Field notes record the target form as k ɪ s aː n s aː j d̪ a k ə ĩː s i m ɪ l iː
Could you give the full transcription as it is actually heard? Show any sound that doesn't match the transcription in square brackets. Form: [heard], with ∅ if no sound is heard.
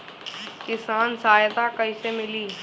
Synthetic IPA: k ɪ s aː n s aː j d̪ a k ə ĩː s [e] m ɪ l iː